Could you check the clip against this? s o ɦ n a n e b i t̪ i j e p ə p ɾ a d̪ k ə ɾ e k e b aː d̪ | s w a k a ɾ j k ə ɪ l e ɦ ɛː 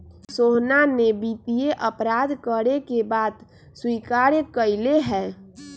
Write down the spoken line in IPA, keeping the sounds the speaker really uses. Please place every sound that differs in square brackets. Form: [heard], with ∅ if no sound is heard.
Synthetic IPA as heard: s o ɦ n a n e b i t̪ i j e [ʔ] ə p ɾ a d̪ k ə ɾ e k e b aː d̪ | s w [i] k a ɾ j k ə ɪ l e ɦ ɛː